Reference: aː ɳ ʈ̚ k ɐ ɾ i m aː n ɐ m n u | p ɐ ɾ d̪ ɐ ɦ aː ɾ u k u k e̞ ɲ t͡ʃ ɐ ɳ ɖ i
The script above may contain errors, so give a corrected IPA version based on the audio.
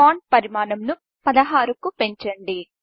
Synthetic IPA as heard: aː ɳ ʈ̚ p ɐ ɾ i m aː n ɐ m n u | p ɐ d̪ ɐ ɦ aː ɾ u k u p e̞ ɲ t͡ʃ ɐ ɳ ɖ i